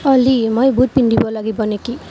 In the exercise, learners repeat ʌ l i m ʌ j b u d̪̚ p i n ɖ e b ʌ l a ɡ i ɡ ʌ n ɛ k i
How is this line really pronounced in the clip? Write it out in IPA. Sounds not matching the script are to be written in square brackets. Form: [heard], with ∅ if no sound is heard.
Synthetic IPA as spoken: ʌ l i m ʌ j b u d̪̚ p i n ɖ [i] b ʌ l a ɡ i [b] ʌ n [e] k i